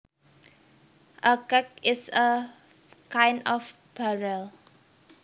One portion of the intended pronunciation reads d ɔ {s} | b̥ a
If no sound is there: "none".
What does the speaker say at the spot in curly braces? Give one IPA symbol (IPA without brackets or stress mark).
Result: f